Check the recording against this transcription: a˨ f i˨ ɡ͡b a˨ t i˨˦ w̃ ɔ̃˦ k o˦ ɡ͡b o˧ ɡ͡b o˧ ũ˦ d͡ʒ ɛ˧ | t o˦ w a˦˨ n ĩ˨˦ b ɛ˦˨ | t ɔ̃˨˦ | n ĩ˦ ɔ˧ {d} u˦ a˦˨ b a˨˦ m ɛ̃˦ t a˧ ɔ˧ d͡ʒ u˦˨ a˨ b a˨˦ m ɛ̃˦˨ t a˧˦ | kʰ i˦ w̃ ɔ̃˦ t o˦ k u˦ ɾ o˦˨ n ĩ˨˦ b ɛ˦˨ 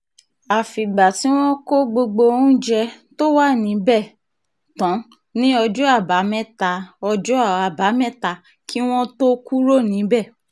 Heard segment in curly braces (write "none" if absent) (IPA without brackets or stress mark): d͡ʒ